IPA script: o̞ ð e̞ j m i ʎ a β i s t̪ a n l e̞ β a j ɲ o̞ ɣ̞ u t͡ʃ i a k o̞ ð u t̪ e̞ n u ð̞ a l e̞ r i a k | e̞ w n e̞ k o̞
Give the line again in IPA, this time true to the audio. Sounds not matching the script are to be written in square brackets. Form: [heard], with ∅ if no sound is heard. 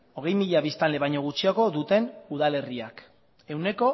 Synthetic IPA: o̞ [ɣ] e̞ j m i ʎ a β i s t̪ a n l e̞ β a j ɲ o̞ ɣ̞ u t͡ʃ i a k o̞ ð u t̪ e̞ n u ð̞ a l e̞ r i a k | e̞ w n e̞ k o̞